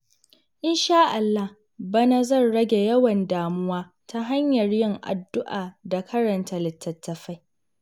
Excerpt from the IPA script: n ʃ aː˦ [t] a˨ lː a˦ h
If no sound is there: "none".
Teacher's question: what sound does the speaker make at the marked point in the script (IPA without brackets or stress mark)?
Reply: ʔ